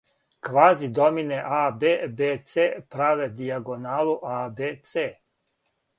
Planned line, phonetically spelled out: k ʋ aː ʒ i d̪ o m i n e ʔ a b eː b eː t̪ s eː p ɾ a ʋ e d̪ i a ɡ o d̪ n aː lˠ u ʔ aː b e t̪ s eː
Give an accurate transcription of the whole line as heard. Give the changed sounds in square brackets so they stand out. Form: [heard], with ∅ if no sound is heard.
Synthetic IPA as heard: k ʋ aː [z] i d̪ o m i n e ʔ a b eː b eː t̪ s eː p ɾ a ʋ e d̪ i a ɡ o [∅] n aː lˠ u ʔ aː b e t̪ s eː